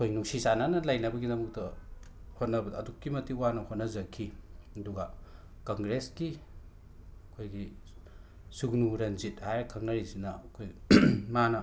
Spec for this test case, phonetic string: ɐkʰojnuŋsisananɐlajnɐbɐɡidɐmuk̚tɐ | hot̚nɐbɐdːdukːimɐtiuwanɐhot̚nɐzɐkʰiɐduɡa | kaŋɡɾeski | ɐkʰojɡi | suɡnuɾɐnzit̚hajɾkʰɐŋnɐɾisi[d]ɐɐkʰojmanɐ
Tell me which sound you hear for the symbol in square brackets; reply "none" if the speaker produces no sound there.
n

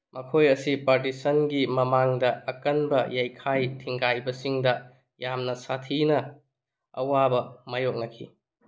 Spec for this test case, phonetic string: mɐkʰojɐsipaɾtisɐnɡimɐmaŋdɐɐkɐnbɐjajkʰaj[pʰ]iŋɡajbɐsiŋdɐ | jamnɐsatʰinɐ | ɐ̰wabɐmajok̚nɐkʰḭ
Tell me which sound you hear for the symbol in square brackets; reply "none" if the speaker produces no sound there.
tʰ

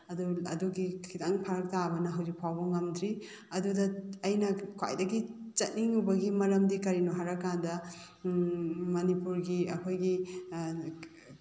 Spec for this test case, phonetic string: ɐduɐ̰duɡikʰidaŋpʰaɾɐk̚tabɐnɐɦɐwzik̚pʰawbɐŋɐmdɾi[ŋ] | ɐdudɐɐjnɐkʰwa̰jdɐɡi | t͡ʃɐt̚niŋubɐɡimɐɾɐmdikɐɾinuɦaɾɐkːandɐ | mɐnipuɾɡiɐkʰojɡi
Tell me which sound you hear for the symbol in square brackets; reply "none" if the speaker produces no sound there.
none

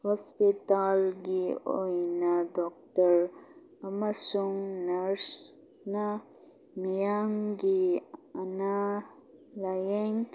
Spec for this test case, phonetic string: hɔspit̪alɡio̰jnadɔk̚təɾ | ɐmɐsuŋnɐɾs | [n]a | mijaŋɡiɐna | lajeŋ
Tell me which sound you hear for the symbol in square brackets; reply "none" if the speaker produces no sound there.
n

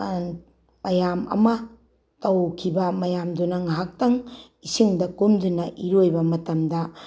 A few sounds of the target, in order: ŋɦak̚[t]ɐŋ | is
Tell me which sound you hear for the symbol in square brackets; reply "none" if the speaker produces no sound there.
t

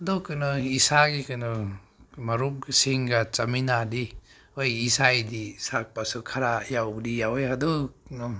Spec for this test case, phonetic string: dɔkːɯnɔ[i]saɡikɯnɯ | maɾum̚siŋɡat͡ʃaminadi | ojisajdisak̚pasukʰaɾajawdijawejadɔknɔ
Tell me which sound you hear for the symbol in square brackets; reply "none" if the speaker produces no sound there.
i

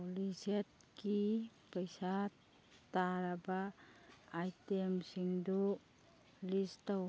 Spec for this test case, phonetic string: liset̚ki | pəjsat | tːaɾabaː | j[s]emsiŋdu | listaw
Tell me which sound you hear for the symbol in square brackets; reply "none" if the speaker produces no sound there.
t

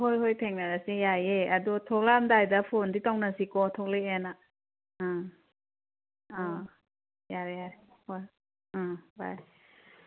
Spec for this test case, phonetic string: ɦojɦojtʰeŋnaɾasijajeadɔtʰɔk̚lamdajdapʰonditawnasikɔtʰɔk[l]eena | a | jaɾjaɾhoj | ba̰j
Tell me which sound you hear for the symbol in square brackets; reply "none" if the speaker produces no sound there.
l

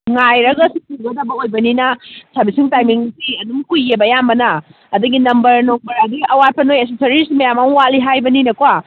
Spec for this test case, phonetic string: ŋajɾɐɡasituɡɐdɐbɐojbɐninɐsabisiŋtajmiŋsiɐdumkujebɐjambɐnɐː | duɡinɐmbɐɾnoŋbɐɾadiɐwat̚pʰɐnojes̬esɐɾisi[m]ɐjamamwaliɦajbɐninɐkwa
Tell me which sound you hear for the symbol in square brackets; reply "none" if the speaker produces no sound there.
m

